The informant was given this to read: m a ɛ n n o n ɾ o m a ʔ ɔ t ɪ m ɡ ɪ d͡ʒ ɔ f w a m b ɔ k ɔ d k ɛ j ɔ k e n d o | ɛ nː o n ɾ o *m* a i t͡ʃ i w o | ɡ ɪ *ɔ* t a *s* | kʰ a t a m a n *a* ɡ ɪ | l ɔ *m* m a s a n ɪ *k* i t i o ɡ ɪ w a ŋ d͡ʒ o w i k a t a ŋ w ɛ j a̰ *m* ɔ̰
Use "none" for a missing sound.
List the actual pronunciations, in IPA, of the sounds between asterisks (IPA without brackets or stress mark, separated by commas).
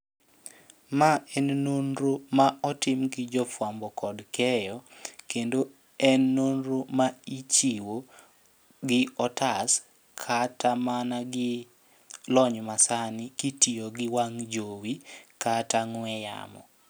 m, ɔ, s, a, ɲ, k, m